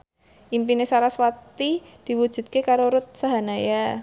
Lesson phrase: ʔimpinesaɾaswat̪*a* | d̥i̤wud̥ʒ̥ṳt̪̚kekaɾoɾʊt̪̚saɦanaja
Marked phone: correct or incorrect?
incorrect